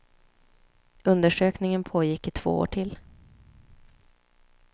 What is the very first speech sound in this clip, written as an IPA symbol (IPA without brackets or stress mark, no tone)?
ɵ